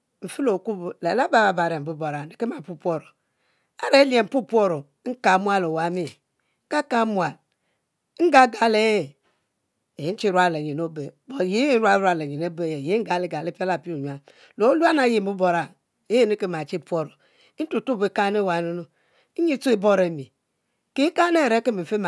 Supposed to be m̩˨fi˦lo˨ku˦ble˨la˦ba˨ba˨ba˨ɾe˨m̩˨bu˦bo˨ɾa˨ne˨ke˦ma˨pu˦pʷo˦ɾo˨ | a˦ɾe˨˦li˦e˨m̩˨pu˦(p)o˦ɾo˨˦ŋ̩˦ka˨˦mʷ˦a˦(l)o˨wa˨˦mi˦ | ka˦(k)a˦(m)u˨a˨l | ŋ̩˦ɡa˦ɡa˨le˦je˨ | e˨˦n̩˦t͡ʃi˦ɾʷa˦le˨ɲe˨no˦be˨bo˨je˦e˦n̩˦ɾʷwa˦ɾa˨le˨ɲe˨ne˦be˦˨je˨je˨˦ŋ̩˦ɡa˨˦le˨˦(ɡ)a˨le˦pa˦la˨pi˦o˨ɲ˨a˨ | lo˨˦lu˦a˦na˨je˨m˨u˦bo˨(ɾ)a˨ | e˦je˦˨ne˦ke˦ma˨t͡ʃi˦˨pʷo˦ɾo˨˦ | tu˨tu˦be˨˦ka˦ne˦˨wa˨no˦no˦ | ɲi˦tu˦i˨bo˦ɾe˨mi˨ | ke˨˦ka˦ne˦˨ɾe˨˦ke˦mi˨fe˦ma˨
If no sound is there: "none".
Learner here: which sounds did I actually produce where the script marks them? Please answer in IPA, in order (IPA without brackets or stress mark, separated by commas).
p, l, k, m, ɡ, ɾ